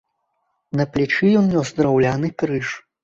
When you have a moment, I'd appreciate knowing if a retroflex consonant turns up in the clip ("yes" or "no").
yes